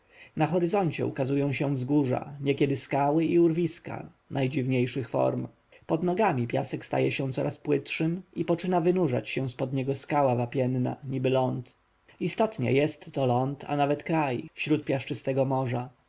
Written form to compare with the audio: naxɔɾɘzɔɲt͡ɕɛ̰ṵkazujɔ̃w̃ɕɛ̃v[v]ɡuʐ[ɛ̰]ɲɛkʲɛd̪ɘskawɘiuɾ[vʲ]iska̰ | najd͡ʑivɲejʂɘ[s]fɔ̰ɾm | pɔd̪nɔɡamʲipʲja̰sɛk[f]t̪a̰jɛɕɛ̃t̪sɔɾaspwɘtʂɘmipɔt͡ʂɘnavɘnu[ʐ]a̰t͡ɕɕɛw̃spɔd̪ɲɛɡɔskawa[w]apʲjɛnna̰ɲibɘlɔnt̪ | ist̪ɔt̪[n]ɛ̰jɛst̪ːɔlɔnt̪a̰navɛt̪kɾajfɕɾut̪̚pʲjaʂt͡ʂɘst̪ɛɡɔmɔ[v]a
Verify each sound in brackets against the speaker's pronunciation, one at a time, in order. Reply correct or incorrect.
incorrect, incorrect, correct, incorrect, incorrect, correct, incorrect, incorrect, incorrect

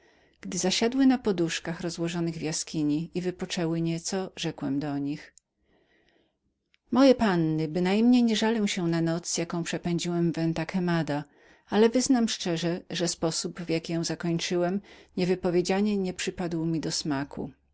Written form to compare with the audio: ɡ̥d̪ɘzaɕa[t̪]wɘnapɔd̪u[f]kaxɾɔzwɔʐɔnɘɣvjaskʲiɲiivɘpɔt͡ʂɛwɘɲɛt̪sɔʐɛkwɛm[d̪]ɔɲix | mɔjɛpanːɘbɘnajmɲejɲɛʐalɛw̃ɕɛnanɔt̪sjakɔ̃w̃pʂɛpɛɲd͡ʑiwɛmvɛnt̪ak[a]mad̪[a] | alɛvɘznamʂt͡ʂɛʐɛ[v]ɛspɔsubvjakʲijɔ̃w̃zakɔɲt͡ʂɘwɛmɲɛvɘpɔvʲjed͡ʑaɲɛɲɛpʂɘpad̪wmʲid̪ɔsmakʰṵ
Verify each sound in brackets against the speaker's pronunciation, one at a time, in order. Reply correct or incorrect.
incorrect, incorrect, correct, incorrect, correct, incorrect

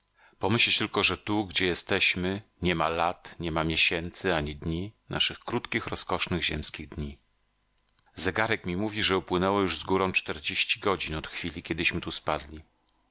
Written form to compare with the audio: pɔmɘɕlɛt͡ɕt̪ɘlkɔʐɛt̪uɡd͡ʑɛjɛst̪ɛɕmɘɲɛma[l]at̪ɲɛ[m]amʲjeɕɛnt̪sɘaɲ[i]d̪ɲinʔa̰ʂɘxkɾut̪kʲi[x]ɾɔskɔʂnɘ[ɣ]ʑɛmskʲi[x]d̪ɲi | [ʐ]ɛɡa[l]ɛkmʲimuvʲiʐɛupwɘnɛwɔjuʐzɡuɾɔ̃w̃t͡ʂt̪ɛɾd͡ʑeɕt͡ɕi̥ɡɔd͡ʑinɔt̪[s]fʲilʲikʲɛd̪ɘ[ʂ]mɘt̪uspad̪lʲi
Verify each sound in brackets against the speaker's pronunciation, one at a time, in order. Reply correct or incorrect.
correct, correct, correct, correct, correct, incorrect, incorrect, incorrect, incorrect, incorrect

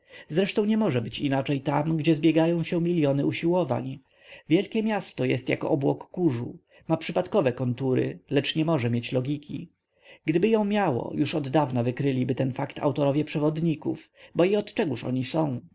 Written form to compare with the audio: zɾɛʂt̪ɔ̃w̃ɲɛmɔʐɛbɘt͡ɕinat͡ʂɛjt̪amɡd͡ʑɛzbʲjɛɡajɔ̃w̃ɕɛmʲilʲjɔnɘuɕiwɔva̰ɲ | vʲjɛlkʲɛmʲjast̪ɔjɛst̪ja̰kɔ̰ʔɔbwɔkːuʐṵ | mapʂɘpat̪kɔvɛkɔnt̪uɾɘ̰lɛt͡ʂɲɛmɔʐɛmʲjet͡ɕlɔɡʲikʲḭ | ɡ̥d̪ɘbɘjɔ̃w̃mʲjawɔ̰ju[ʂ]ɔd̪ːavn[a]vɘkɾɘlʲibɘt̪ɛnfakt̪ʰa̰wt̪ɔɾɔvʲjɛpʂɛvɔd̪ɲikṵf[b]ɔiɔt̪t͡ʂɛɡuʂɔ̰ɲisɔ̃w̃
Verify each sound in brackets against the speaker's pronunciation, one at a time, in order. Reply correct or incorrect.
correct, correct, correct

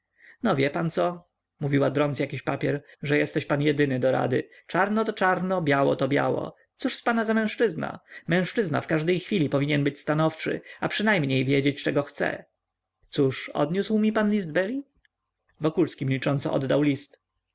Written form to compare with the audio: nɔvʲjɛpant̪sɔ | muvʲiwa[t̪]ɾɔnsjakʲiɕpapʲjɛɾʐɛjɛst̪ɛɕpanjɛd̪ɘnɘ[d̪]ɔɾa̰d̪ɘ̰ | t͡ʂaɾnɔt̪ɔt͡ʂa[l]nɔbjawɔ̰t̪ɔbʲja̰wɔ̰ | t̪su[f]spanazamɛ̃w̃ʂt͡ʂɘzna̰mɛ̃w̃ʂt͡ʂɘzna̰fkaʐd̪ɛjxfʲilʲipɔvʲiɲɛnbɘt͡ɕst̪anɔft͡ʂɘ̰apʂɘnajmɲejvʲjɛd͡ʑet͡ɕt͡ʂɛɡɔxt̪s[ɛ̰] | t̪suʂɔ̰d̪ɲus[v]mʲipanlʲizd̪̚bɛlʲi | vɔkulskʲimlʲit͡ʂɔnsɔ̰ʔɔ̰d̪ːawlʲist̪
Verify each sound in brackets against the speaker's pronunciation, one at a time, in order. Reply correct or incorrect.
incorrect, correct, incorrect, incorrect, correct, incorrect

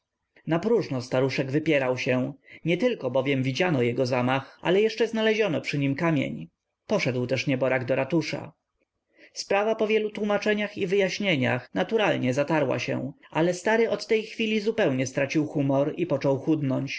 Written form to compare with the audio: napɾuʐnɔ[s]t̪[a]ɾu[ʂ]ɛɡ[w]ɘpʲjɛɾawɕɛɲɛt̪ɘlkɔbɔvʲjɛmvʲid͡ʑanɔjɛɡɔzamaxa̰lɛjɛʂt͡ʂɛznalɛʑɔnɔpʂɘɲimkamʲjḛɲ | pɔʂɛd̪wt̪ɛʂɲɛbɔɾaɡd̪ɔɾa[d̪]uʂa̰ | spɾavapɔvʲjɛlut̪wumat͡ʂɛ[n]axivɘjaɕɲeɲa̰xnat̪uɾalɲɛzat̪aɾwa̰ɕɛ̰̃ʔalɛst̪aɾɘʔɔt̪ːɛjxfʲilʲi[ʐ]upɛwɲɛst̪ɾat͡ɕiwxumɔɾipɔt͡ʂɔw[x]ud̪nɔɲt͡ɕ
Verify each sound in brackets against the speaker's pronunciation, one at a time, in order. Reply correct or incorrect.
correct, correct, correct, incorrect, incorrect, incorrect, incorrect, correct

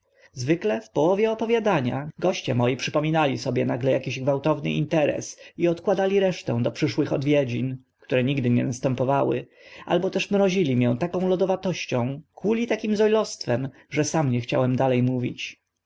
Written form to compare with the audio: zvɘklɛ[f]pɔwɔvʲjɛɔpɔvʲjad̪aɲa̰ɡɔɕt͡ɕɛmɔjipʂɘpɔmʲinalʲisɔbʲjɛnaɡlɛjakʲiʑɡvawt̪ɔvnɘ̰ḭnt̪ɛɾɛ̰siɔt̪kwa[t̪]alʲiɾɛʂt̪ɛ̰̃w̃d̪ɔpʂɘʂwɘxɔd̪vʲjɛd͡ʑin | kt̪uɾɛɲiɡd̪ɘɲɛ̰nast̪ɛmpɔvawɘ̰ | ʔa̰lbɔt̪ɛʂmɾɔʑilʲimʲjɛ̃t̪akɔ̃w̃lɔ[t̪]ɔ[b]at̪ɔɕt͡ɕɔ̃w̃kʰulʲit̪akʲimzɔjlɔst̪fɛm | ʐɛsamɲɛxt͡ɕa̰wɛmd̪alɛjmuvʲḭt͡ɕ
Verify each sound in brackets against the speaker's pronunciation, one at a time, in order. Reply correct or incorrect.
correct, incorrect, incorrect, incorrect

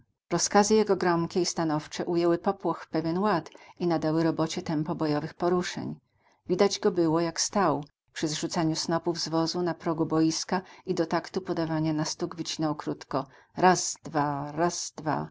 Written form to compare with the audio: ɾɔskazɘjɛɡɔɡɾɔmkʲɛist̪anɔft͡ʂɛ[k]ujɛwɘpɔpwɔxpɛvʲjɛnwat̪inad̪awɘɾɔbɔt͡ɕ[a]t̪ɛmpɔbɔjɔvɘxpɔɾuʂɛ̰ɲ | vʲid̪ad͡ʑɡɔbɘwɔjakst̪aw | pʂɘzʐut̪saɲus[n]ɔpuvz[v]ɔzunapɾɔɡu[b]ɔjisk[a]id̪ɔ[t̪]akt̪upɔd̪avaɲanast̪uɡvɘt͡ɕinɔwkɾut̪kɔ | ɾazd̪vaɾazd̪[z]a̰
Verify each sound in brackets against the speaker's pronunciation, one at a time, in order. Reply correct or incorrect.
incorrect, incorrect, correct, correct, correct, correct, correct, incorrect

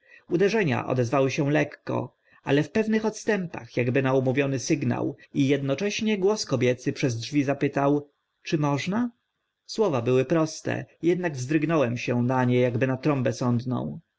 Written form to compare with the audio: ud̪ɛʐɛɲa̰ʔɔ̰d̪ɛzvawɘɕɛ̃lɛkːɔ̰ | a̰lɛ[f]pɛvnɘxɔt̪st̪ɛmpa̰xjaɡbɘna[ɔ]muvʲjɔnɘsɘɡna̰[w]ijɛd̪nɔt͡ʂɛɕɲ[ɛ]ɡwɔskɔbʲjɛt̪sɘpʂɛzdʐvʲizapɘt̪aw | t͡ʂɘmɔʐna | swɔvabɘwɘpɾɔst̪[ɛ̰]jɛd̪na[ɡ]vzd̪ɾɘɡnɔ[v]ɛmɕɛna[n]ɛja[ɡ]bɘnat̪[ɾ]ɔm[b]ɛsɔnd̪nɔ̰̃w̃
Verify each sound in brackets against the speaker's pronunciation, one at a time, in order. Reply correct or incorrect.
correct, incorrect, correct, correct, correct, correct, incorrect, incorrect, correct, correct, correct

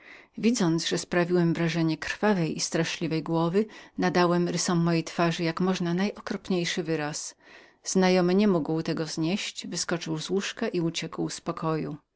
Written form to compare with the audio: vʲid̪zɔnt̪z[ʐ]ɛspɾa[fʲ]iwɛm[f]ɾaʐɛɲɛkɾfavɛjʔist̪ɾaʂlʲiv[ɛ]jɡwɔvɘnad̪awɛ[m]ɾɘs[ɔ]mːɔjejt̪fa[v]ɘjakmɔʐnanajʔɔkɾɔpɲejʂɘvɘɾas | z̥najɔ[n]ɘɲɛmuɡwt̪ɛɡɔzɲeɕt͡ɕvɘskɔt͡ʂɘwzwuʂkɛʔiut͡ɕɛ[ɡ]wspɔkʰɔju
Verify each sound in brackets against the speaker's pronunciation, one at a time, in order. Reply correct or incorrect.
correct, incorrect, incorrect, correct, correct, correct, incorrect, incorrect, incorrect

